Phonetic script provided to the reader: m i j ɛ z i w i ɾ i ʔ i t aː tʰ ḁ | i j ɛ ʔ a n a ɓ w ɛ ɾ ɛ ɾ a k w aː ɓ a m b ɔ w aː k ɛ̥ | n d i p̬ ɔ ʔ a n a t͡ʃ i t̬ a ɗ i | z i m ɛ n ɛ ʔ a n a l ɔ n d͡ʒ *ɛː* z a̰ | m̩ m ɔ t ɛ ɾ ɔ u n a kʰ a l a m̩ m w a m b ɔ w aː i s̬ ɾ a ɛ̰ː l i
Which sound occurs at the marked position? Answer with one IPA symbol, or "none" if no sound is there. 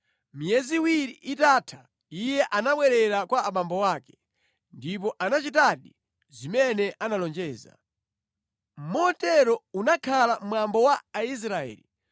ɛː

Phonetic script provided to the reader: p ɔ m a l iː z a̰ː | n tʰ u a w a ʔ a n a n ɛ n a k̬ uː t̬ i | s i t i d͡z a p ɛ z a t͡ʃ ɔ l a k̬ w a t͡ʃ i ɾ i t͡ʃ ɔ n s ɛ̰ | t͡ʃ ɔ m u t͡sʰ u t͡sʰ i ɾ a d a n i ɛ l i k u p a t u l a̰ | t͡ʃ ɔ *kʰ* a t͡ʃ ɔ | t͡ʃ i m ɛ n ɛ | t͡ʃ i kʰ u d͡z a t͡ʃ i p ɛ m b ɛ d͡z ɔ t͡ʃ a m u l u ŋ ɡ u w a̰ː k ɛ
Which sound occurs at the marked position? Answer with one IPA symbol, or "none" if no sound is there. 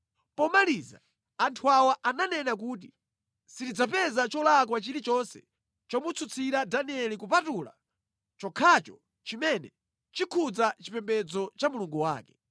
kʰ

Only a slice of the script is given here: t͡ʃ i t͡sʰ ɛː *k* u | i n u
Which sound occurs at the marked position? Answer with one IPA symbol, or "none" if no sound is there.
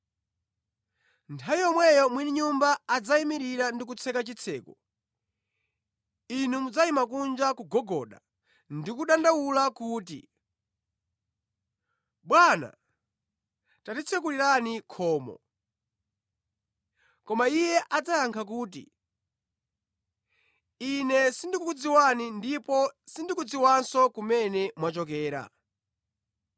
k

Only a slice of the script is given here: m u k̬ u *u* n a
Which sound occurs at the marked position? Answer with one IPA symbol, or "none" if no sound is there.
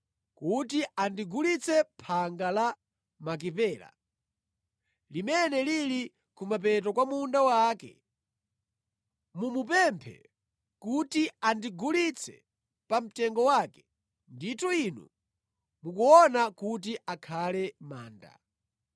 ɔ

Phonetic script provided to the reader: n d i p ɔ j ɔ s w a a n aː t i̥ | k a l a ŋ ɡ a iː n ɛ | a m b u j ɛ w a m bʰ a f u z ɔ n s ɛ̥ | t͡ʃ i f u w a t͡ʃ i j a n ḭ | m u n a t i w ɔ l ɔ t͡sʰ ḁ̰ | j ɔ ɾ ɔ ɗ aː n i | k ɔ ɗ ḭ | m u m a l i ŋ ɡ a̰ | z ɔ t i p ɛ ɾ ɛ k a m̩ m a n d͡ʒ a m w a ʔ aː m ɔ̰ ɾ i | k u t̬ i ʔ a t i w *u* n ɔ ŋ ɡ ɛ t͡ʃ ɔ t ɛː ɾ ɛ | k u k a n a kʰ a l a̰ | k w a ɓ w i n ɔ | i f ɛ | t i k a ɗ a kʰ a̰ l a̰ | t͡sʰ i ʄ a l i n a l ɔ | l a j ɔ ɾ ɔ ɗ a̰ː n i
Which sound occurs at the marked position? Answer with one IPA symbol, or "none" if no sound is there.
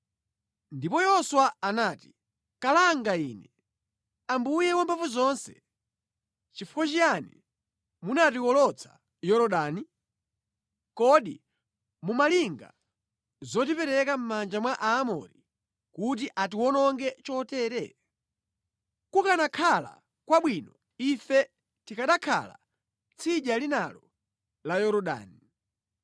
ɔ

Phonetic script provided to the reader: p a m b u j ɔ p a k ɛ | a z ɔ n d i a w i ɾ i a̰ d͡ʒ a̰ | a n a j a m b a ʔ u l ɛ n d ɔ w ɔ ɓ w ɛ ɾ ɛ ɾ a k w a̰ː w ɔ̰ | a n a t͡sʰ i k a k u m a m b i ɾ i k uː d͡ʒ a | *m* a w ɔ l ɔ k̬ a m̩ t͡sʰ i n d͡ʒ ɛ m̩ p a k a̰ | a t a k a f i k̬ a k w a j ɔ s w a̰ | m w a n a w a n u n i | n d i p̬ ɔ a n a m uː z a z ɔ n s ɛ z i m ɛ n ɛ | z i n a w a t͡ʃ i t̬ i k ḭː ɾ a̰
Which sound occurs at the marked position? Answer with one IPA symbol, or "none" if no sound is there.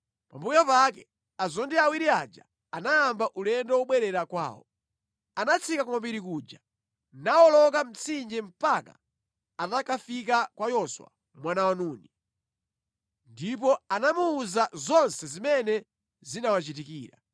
n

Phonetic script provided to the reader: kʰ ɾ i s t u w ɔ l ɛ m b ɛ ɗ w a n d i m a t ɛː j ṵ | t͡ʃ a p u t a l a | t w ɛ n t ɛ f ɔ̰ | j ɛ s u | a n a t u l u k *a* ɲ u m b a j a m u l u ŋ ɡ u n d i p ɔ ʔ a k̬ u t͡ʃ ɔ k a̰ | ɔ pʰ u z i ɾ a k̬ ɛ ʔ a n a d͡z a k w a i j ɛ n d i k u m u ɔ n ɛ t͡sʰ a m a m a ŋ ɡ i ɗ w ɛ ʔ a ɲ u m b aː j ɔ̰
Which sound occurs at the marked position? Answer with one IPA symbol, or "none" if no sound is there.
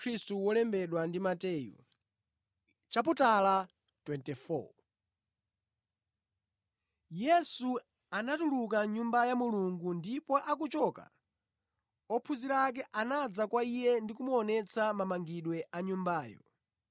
a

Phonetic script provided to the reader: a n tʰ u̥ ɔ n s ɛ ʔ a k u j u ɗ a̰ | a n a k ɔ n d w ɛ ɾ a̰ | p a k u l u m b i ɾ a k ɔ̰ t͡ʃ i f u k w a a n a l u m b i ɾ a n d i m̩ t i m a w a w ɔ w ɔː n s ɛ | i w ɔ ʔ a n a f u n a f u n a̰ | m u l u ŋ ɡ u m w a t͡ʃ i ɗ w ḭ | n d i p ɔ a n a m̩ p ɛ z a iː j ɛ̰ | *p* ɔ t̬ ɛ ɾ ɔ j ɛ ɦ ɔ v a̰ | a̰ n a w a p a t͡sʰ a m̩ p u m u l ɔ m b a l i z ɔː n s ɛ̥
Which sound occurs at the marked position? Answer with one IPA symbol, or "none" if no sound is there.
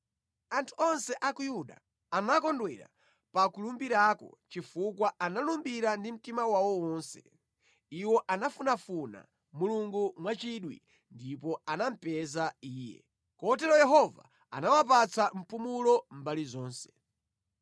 k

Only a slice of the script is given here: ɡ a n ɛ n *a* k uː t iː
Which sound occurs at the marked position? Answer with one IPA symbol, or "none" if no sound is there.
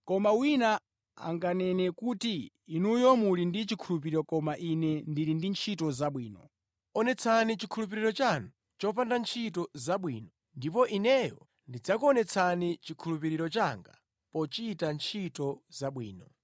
ɛ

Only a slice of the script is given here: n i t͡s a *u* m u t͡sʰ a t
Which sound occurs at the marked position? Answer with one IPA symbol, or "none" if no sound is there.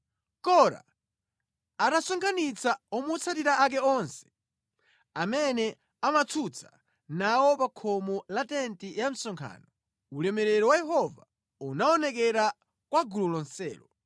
ɔ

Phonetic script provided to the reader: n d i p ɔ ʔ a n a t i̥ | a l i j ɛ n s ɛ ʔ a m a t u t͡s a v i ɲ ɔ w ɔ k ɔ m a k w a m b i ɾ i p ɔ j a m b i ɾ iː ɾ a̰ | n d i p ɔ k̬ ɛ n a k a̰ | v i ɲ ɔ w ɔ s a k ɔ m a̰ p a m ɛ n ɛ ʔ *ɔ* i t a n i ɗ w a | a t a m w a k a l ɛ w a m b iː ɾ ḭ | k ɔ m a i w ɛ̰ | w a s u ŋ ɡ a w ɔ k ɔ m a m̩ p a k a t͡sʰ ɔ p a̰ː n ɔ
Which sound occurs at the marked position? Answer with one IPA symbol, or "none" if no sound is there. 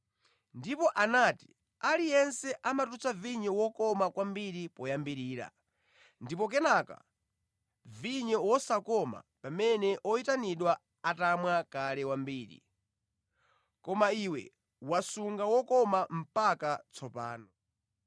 ɔ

